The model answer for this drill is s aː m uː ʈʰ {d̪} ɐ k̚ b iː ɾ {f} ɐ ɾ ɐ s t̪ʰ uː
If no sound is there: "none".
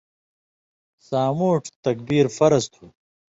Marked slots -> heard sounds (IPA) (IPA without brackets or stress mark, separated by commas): t̪, f